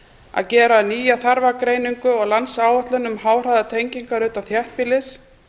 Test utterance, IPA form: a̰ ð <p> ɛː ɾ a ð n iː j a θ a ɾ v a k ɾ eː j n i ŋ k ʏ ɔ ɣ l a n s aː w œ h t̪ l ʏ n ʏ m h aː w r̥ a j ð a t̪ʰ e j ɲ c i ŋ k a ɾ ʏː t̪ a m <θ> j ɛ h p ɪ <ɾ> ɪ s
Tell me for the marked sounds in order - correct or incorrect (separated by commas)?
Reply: incorrect, correct, incorrect